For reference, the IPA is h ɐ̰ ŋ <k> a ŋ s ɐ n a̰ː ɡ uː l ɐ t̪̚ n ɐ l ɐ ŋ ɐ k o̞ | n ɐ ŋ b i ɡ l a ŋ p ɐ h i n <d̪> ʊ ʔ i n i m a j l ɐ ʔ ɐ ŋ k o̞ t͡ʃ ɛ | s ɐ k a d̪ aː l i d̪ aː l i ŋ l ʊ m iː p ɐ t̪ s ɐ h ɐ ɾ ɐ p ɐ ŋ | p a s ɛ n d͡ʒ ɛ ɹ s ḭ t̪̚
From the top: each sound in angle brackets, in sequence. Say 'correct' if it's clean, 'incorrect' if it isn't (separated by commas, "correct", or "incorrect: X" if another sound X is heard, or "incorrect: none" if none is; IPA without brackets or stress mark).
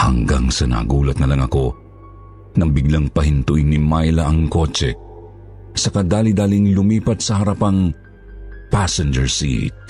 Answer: incorrect: ɡ, incorrect: t̪